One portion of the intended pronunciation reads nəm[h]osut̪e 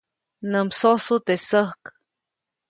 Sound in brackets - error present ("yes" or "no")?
yes